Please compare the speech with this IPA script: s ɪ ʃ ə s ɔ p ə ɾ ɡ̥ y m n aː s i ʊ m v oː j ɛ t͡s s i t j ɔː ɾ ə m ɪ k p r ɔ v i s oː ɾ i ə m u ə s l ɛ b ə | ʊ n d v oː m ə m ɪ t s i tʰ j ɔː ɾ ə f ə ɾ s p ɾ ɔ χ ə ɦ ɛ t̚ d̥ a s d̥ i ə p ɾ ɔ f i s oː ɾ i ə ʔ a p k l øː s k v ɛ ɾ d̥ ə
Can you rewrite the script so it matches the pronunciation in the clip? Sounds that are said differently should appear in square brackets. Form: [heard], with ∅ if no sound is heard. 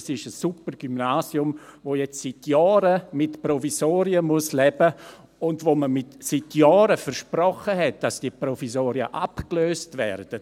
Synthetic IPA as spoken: s ɪ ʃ ə s [u] p ə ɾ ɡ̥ y m n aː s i ʊ m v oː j ɛ t͡s s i t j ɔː ɾ ə m ɪ [t] p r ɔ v i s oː ɾ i ə m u ə s l ɛ b ə | ʊ n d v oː m ə m ɪ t s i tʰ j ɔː ɾ ə f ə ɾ [ʃ] p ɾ ɔ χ ə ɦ ɛ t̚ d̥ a s d̥ i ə p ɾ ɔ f i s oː ɾ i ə ʔ a p k l øː s [t] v ɛ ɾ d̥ ə